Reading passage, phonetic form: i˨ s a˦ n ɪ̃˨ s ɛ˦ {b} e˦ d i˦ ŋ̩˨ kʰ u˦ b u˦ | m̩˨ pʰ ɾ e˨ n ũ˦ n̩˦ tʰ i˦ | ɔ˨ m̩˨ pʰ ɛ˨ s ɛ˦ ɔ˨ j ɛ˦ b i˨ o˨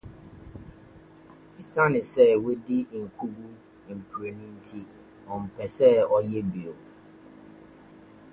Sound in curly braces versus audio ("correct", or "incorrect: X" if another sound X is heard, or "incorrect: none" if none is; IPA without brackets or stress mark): incorrect: w